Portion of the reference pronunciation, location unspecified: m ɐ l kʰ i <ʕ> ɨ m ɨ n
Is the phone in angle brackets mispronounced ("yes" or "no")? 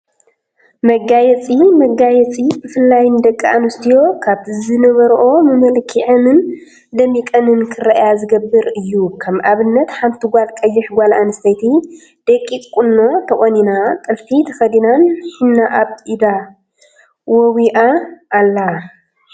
no